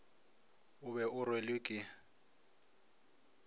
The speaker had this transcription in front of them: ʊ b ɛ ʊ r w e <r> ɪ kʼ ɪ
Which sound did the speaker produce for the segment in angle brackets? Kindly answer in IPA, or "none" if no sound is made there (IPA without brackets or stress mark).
l